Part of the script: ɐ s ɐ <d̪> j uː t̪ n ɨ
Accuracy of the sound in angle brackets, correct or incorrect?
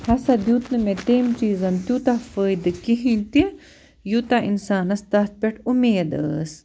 correct